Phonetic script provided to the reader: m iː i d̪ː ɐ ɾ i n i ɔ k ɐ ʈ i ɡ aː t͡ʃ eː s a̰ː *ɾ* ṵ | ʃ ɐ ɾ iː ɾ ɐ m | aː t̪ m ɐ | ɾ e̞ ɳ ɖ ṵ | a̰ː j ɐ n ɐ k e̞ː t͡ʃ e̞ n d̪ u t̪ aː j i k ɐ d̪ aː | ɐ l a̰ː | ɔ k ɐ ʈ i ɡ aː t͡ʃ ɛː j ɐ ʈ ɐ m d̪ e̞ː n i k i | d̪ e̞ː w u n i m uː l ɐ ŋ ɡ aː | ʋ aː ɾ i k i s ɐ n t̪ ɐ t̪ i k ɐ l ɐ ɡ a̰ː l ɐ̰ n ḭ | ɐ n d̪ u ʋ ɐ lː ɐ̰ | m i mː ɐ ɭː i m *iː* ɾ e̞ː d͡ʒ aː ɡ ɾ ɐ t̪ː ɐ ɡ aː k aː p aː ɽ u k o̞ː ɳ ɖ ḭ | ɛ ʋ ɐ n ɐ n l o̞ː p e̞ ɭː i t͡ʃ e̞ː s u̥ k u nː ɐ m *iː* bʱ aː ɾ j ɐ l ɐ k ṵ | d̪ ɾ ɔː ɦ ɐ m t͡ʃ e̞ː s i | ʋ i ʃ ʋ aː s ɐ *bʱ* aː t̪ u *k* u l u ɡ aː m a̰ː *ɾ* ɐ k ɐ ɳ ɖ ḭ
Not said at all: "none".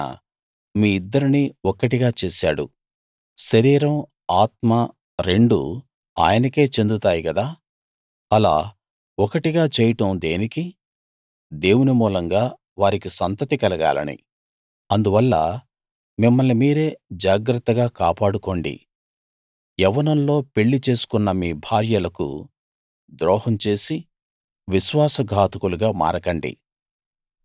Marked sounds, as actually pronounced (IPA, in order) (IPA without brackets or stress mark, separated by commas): ɽ, iː, iː, ɡʱ, k, ɾ